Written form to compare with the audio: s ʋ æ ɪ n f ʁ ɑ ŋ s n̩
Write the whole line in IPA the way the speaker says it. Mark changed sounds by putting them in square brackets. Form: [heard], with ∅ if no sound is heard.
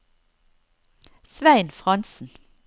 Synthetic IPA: s ʋ æ ɪ n f ʁ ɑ [n] s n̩